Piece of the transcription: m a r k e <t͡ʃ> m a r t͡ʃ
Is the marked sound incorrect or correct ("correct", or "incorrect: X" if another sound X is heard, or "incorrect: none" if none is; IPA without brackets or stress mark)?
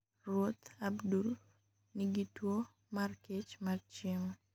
correct